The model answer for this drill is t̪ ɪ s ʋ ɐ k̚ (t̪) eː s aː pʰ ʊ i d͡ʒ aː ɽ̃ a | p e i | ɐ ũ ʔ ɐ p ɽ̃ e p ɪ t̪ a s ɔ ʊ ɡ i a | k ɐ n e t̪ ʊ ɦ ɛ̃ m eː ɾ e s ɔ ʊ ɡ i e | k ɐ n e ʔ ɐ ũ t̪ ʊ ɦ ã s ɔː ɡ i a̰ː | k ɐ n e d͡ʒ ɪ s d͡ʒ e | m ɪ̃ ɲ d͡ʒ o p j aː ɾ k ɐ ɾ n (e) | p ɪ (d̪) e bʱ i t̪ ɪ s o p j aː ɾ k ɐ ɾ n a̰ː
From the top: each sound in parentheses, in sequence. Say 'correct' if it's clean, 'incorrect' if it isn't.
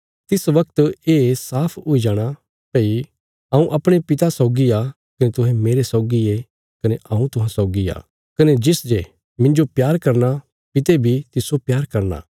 correct, incorrect, incorrect

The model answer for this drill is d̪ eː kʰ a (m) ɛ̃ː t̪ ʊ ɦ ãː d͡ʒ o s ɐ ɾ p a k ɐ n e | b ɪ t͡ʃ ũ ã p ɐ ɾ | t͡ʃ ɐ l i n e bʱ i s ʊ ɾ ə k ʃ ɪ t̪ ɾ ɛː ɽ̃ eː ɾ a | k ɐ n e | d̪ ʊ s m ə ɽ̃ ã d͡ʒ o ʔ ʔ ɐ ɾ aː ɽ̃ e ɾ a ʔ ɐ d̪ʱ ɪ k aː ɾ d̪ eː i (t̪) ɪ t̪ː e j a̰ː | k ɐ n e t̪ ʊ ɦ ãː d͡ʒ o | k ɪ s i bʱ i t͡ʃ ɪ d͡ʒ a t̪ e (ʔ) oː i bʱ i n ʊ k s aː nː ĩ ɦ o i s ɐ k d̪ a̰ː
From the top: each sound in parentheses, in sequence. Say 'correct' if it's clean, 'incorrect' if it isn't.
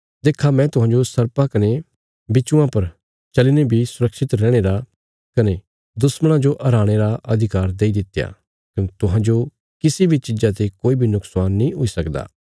correct, incorrect, incorrect

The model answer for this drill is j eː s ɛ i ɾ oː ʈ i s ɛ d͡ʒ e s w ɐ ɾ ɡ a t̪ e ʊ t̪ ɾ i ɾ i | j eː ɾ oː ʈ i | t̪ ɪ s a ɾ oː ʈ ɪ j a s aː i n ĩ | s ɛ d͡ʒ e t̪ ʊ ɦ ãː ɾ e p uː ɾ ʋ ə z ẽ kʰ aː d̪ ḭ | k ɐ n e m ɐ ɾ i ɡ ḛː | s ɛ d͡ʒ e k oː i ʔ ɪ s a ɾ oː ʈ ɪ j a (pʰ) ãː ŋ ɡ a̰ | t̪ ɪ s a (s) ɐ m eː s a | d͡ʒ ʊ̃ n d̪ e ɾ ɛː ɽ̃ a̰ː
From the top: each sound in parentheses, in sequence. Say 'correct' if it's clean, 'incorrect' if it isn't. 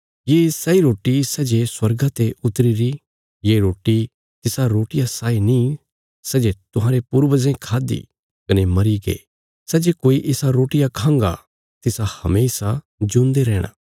incorrect, incorrect

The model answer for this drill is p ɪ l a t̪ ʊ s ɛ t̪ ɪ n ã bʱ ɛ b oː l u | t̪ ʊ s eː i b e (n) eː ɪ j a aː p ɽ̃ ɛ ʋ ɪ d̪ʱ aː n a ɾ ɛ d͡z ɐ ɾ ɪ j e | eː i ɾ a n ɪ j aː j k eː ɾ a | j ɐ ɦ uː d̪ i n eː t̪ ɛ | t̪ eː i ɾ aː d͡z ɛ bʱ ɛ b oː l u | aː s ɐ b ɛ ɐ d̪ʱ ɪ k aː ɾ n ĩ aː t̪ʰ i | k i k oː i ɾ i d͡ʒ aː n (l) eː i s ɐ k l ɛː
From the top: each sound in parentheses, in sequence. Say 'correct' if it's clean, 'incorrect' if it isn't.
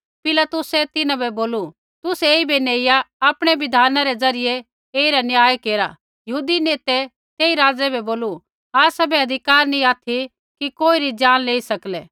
correct, correct

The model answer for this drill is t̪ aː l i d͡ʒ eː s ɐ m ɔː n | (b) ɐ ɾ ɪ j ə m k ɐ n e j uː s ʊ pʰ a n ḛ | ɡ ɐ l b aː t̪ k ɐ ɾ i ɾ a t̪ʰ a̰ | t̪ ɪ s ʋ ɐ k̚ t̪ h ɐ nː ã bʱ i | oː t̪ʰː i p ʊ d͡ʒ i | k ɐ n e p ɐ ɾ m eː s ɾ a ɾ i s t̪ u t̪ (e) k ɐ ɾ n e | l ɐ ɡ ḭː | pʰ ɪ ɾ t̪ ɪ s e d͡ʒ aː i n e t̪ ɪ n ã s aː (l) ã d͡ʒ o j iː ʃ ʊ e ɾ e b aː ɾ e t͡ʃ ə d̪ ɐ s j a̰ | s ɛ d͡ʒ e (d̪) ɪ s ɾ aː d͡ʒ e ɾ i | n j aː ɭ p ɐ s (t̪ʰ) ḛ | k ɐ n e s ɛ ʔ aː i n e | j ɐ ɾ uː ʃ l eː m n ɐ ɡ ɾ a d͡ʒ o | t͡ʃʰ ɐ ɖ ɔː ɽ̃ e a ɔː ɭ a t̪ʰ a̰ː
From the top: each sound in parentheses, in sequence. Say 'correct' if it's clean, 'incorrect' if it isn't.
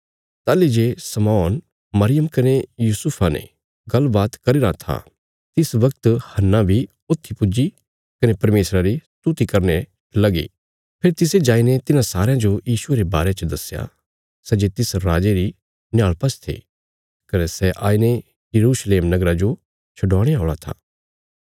incorrect, incorrect, incorrect, incorrect, correct

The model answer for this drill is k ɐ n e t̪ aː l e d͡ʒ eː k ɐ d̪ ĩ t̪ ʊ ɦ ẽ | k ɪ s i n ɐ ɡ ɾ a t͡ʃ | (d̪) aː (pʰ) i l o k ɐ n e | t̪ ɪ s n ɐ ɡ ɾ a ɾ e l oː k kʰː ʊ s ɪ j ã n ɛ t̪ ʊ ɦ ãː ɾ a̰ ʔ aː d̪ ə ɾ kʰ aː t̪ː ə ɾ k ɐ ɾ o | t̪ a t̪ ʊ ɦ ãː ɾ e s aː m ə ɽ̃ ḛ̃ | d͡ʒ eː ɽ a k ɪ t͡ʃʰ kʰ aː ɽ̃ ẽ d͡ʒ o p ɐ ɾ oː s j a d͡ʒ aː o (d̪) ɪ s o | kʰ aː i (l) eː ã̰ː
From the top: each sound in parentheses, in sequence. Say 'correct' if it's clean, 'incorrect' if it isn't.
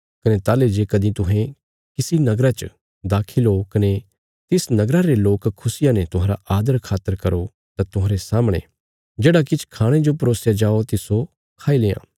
correct, incorrect, incorrect, correct

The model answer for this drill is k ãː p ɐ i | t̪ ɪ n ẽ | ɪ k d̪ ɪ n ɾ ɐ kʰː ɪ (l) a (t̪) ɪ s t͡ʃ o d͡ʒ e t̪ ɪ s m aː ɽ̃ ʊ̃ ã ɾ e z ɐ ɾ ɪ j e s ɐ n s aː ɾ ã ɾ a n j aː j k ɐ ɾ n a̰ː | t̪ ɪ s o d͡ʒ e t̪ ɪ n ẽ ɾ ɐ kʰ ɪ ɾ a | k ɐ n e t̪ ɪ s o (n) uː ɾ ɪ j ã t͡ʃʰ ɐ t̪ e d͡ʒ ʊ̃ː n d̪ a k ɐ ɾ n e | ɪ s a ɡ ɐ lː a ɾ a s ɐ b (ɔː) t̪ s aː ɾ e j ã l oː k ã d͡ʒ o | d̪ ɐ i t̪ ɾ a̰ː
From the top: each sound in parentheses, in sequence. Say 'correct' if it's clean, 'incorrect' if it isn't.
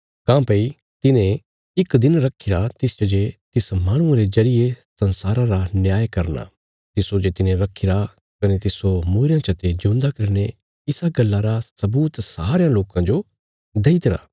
incorrect, correct, incorrect, incorrect

